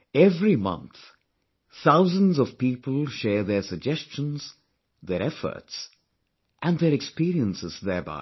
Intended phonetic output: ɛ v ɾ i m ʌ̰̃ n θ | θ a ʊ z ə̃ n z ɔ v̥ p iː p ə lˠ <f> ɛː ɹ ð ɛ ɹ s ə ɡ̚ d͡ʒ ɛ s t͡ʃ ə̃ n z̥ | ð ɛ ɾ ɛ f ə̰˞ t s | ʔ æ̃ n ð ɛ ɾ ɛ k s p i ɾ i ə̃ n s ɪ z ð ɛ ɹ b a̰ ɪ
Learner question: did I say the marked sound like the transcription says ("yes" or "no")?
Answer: no